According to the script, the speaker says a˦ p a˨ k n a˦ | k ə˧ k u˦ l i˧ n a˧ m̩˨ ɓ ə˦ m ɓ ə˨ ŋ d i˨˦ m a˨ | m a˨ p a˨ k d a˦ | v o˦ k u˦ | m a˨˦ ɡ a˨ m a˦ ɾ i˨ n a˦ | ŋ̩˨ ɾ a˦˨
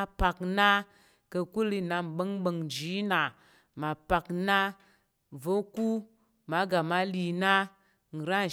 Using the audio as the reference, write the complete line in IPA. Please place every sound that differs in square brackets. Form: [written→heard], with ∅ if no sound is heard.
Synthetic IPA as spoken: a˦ p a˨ k n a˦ | k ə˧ k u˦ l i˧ n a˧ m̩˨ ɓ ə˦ [m→ŋ] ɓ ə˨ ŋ [d→d͡ʒ] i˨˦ [m→n] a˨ | m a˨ p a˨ k [d→n] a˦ | v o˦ k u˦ | m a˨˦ ɡ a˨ m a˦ [ɾ→l] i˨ n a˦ | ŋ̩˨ ɾ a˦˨